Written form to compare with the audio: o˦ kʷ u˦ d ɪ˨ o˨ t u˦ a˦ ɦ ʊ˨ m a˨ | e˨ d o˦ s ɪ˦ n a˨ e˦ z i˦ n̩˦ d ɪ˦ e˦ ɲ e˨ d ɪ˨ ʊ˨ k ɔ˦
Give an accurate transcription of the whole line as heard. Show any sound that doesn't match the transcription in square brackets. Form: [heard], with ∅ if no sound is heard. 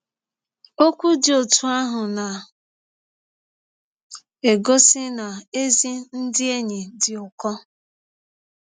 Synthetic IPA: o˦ kʷ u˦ d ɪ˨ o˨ t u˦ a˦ ɦ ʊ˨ [n] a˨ | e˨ [ɡ] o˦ s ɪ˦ n a˨ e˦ z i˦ n̩˦ d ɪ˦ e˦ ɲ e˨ d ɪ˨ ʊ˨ k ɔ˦